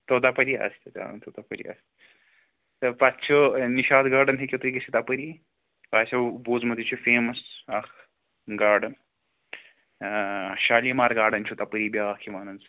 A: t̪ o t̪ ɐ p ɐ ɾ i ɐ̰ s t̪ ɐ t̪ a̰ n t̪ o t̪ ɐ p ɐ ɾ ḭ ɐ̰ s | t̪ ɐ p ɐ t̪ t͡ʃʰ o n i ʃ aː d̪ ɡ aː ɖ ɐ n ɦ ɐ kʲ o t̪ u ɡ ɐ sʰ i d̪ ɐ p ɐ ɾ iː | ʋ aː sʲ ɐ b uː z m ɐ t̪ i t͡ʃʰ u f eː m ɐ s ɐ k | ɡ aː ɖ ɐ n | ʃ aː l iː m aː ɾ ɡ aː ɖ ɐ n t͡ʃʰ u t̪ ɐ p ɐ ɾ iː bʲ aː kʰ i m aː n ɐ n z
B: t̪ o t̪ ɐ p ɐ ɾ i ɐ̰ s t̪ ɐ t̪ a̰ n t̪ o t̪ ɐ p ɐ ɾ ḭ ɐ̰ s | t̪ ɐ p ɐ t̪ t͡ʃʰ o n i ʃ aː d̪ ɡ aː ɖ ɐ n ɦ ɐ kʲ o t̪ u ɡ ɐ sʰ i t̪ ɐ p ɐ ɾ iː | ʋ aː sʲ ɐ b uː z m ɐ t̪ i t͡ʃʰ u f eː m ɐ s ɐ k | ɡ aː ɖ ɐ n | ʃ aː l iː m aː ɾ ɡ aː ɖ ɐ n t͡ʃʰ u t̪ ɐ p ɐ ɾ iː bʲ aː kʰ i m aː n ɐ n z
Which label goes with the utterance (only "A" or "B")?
B